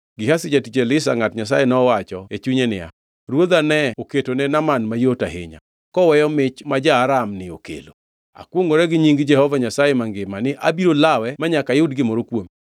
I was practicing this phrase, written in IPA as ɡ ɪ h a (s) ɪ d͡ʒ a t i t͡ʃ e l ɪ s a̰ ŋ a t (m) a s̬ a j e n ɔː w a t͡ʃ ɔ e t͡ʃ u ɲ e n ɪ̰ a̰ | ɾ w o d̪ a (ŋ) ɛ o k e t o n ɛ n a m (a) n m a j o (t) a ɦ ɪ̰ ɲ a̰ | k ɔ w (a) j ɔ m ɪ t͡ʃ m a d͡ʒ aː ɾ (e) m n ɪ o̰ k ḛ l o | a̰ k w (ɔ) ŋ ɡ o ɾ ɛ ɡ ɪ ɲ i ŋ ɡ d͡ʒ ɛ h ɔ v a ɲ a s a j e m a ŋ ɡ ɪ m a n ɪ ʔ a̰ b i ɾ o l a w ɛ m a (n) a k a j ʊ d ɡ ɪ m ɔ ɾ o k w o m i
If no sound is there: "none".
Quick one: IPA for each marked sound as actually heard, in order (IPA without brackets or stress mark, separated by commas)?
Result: s, ɲ, n, a, t, ɛ, a, o, ɲ